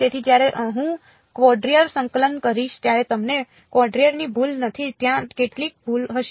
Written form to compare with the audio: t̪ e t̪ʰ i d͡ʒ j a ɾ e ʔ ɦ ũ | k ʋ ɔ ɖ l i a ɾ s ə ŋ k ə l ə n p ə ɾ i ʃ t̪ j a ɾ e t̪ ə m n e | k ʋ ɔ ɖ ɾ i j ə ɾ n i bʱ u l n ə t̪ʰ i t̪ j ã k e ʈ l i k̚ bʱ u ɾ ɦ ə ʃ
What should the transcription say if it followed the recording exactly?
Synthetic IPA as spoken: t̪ e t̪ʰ i d͡ʒ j a ɾ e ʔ ɦ ũ | k ʋ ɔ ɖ ɾ i ə ɾ s ə ŋ k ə l ə n k ə ɾ i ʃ t̪ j a ɾ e t̪ ə m n e | k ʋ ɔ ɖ ɾ i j ə ɾ n i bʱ u l n ə t̪ʰ i t̪ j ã k e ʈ l i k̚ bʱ u l ɦ ə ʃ